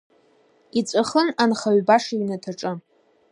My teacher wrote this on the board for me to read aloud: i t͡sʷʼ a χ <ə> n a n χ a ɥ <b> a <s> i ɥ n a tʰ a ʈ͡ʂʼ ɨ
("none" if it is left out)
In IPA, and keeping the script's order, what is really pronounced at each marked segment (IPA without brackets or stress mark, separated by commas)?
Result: ə, b, ʂ